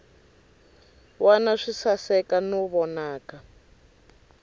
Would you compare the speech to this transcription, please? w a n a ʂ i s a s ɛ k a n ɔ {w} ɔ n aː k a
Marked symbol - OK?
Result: no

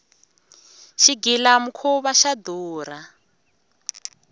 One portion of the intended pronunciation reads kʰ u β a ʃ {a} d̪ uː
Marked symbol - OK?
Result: yes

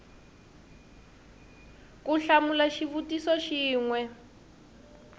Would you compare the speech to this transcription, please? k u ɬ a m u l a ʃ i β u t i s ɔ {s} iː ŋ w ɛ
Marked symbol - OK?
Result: no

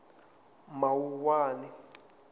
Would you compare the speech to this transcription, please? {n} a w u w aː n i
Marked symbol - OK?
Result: no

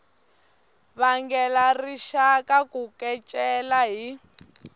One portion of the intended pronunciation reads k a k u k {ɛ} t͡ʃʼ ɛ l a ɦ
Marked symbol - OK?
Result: yes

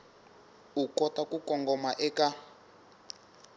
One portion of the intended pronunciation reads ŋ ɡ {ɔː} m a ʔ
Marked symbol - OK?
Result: no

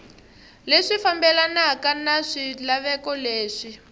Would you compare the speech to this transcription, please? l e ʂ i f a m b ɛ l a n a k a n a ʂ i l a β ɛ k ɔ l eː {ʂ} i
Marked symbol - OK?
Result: yes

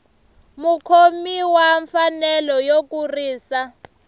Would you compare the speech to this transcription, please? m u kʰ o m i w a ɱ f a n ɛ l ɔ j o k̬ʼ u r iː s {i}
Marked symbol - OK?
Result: no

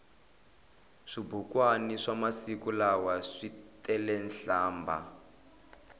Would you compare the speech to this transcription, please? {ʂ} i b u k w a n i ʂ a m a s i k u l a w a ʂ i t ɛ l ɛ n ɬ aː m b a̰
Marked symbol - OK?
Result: yes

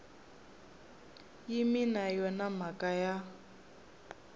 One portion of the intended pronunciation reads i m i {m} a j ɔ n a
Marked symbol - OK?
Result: no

